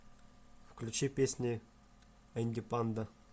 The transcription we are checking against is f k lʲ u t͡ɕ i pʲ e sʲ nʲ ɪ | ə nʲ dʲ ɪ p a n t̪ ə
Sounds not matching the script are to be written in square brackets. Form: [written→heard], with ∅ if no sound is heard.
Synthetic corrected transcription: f k lʲ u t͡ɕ i pʲ e sʲ nʲ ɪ | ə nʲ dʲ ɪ p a n [t̪→d̪] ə